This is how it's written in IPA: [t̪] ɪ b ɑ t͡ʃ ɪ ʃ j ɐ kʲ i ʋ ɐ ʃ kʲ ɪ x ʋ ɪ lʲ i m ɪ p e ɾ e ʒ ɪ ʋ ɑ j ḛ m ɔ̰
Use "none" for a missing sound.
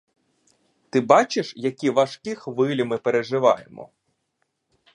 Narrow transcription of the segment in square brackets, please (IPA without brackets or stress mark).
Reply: t̪